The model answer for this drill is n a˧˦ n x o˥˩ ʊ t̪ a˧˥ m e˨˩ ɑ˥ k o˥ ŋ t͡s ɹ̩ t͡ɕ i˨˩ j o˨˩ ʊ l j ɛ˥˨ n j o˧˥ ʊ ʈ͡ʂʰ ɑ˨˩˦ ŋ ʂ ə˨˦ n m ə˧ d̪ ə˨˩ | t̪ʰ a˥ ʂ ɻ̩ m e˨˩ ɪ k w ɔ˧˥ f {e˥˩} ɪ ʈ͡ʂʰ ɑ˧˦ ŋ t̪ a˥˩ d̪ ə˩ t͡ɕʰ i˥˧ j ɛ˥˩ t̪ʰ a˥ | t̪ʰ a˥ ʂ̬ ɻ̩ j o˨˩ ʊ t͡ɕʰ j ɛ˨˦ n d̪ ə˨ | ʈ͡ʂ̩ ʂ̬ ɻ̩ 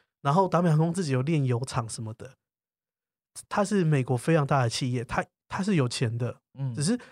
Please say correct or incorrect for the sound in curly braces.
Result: incorrect